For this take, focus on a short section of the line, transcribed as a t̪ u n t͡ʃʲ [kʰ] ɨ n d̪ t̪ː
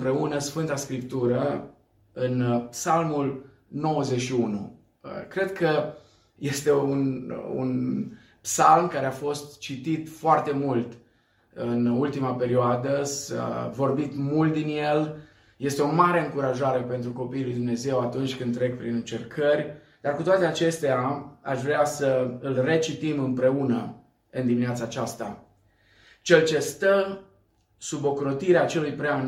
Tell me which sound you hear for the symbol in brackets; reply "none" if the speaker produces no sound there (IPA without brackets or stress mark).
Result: k